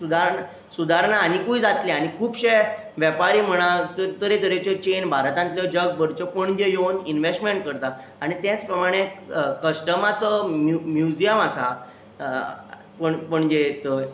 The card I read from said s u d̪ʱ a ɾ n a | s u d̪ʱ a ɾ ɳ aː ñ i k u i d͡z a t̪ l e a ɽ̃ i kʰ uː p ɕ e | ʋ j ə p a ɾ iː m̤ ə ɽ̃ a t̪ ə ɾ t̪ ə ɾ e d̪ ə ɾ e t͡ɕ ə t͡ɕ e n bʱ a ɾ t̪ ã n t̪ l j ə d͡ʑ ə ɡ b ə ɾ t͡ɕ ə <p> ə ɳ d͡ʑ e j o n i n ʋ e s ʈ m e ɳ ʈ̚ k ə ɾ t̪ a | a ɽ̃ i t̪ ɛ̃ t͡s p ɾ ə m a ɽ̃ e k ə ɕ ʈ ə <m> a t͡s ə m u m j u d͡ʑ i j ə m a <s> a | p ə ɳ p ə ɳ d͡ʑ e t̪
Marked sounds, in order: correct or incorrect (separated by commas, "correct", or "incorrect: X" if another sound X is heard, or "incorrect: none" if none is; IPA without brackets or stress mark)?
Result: correct, correct, correct